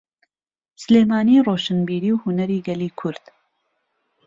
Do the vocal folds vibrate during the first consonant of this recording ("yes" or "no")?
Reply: no